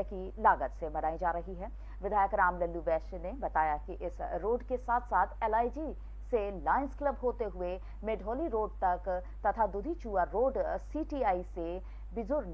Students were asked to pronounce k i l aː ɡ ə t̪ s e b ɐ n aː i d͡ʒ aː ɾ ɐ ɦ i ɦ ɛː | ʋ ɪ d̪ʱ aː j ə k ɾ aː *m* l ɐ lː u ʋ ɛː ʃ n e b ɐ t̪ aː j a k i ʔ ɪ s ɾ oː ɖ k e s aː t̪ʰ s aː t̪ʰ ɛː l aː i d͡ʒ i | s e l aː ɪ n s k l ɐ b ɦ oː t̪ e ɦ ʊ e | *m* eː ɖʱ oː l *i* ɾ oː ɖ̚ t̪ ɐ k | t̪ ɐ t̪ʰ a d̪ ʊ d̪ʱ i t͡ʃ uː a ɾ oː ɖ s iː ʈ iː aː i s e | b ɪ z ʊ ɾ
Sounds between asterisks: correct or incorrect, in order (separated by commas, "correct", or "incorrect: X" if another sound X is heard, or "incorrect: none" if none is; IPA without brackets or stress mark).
correct, correct, correct